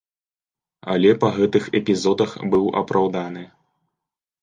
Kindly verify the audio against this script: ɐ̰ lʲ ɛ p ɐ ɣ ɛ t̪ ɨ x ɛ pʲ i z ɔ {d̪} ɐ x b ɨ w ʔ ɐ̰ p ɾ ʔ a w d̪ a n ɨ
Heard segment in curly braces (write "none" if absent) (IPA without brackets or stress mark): d̪